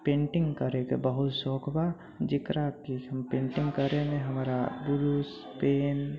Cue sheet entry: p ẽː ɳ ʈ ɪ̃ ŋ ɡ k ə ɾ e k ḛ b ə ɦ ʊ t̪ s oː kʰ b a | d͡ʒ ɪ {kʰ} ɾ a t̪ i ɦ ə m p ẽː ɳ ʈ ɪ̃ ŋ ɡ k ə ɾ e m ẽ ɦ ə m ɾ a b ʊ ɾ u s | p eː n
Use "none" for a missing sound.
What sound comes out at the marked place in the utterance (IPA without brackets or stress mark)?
k